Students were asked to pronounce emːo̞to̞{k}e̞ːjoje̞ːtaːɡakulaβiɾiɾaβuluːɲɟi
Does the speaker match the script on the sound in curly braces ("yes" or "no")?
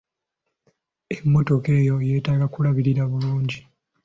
yes